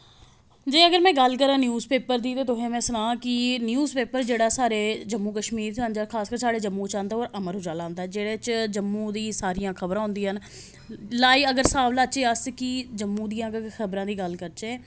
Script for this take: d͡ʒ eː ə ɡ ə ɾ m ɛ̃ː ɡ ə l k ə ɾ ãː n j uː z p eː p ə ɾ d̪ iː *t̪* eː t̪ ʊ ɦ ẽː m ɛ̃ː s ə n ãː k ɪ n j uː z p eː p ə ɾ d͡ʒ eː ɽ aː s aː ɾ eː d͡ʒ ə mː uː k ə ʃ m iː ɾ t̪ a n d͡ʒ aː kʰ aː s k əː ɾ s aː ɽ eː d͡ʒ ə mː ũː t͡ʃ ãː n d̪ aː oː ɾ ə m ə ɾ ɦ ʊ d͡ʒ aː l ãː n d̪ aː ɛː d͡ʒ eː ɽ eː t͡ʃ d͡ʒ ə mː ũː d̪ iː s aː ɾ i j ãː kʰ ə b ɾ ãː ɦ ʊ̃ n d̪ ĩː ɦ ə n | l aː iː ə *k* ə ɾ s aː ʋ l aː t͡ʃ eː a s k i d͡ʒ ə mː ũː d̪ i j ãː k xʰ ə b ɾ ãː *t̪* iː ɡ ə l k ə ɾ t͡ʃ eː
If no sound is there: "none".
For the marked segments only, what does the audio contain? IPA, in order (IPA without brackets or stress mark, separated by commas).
t̪, ɡ, d̪